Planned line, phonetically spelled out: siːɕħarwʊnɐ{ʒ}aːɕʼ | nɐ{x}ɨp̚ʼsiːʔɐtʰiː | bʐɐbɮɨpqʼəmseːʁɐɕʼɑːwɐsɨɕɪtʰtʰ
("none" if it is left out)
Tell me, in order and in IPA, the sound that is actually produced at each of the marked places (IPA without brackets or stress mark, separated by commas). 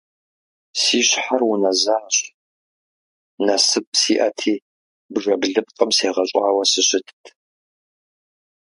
z, s